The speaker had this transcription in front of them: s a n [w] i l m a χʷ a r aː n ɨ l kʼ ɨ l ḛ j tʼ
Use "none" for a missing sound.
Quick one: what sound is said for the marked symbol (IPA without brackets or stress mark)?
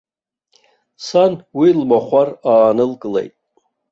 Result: w